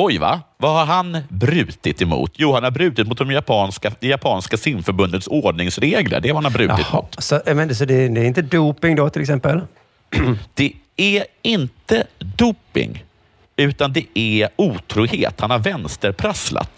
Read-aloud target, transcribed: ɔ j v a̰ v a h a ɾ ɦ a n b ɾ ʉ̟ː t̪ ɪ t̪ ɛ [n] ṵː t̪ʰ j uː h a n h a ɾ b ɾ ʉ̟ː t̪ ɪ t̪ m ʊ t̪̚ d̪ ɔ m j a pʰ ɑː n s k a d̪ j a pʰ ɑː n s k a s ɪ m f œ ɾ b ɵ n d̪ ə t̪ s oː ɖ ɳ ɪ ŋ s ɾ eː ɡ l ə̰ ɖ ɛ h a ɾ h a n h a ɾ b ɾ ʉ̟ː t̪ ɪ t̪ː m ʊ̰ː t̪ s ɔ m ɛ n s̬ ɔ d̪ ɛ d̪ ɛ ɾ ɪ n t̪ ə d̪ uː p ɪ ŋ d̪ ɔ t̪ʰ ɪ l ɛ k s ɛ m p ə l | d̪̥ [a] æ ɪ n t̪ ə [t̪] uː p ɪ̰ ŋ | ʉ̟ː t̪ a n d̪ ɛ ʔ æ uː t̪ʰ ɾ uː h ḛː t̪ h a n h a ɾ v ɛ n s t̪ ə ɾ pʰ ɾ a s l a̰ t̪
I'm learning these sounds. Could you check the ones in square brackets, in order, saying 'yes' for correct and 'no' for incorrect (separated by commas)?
no, no, no